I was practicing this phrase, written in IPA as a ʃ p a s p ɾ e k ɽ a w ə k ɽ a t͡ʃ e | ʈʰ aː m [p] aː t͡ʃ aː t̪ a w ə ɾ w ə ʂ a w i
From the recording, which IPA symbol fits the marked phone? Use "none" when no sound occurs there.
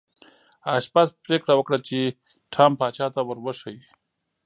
p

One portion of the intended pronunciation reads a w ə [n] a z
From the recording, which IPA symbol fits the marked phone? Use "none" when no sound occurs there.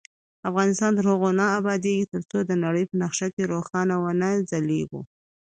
n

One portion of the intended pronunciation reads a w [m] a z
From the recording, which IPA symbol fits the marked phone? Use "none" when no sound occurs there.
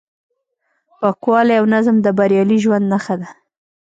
n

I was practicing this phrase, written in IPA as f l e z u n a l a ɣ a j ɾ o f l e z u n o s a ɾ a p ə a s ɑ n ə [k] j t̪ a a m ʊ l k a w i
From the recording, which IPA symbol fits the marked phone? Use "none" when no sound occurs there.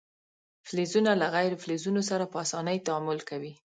none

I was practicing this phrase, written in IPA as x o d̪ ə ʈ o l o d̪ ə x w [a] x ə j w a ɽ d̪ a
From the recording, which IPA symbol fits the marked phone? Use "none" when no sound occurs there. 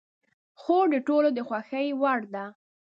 a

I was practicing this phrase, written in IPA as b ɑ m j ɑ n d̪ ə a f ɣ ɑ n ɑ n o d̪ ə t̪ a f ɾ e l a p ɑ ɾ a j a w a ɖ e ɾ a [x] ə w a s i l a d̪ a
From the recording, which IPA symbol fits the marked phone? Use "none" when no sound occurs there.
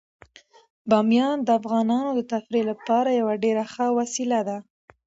x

